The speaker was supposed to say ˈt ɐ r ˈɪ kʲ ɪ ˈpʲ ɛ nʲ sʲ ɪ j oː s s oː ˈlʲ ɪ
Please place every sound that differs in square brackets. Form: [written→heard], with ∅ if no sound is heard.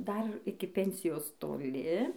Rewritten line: [ˈt→ˈd] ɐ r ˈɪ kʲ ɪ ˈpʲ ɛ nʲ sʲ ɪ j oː s [s→t] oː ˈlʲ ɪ